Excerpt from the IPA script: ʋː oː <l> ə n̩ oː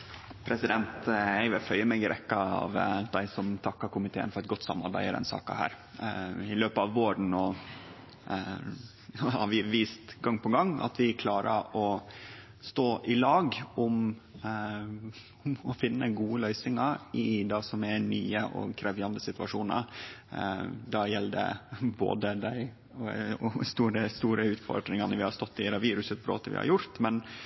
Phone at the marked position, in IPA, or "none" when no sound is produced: ɾ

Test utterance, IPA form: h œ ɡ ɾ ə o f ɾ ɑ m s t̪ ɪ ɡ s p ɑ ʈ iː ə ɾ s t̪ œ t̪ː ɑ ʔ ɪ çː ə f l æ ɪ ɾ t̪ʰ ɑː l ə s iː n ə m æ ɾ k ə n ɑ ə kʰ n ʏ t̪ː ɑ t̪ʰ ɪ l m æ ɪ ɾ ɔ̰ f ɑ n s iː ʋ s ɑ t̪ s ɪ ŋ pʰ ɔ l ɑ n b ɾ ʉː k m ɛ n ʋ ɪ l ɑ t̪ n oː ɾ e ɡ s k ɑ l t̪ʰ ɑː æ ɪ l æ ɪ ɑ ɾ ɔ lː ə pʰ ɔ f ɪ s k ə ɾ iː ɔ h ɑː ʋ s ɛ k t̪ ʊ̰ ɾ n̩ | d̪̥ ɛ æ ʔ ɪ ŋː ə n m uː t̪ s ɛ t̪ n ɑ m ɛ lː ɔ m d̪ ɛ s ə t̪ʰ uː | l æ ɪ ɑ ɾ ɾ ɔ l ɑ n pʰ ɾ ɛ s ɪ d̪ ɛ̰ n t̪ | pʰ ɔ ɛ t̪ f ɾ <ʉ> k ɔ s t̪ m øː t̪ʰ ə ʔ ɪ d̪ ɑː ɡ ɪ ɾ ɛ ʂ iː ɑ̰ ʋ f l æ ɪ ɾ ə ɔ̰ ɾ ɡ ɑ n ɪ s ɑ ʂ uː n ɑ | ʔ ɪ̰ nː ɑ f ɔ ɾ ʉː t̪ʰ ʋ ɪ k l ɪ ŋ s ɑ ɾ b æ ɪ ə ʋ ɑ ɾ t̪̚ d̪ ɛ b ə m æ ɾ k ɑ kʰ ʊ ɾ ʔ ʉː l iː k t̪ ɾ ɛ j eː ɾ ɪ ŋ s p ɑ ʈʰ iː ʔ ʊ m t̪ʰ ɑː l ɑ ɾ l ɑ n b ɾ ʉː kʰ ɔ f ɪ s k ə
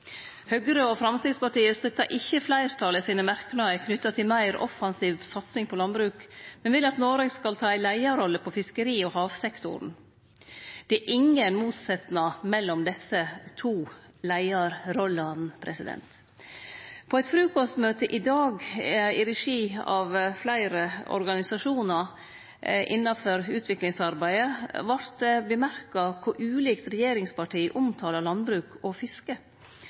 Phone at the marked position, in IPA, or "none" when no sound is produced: ʉː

